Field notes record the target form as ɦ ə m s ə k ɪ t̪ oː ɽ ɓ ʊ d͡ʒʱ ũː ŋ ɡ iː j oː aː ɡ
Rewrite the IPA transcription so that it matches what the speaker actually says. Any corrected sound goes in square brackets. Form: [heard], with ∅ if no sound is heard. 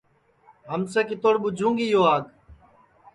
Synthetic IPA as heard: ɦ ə m s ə k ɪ t̪ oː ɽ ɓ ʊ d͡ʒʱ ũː ŋ ɡ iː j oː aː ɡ